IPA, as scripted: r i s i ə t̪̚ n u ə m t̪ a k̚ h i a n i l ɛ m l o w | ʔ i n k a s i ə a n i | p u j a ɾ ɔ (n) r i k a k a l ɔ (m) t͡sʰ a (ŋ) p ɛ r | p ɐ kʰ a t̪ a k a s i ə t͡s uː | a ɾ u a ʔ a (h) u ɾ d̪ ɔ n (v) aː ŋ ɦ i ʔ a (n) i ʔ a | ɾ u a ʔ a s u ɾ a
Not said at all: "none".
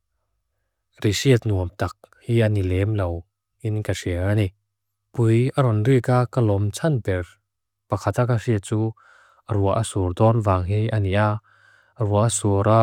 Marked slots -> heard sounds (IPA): n, m, n, s, v, n

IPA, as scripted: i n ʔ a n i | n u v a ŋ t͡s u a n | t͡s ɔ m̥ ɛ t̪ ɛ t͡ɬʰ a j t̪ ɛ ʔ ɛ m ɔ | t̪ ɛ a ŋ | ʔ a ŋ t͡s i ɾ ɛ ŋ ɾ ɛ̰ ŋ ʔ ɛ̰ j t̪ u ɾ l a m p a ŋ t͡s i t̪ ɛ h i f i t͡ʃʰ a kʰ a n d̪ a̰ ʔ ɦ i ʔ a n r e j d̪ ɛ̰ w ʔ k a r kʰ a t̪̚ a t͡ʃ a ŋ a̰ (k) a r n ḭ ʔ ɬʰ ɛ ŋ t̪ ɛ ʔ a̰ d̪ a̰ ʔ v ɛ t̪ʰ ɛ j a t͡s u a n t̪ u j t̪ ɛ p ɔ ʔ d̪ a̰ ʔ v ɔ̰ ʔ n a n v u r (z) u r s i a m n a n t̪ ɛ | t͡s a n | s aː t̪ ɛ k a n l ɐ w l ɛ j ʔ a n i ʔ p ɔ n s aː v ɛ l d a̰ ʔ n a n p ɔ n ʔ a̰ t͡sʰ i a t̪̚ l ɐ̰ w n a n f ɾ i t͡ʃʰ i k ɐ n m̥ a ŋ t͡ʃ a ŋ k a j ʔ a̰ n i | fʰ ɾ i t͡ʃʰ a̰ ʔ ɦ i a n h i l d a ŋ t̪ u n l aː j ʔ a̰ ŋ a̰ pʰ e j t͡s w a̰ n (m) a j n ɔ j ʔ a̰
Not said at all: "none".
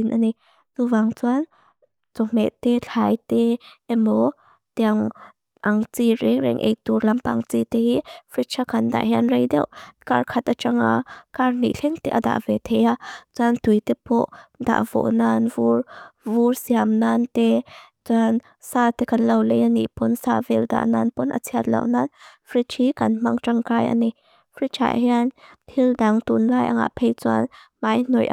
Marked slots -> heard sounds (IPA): k, v, m

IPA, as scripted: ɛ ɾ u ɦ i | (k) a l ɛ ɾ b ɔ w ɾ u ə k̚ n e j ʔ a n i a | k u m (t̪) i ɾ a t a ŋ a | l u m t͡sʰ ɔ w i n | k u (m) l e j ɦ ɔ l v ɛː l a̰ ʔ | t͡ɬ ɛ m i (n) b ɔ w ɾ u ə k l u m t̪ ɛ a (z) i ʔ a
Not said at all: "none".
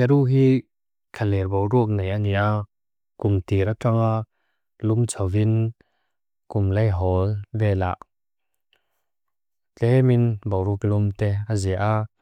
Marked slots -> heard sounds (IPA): kʰ, t̪, m, n, z

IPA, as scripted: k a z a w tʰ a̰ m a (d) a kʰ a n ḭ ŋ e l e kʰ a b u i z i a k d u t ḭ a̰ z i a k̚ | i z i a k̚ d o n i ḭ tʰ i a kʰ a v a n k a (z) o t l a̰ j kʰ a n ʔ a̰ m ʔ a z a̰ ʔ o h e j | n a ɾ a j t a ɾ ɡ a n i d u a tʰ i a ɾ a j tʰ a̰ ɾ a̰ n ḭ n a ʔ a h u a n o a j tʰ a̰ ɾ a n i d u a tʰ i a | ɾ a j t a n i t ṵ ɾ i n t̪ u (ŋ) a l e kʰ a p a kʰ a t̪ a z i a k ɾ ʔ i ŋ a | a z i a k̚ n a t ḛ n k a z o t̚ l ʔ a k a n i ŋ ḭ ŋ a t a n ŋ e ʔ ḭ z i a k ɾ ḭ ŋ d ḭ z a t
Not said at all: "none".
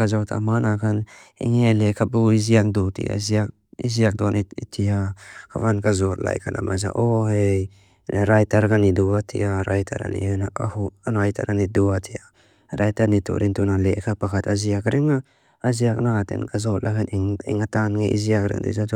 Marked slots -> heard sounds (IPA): n, z, n

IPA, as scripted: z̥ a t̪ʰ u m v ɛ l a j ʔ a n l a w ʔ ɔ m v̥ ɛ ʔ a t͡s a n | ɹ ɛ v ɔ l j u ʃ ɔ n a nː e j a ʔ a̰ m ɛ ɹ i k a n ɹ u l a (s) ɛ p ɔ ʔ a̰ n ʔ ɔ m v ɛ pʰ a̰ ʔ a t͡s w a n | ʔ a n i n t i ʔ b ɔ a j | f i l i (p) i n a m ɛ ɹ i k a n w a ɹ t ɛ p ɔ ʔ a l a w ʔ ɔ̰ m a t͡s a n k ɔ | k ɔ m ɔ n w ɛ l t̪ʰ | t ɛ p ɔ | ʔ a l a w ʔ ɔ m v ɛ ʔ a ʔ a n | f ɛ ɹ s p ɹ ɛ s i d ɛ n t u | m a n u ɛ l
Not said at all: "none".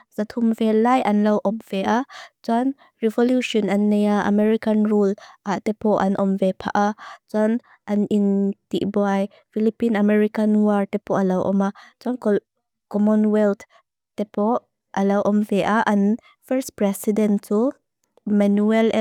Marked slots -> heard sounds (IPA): t, p

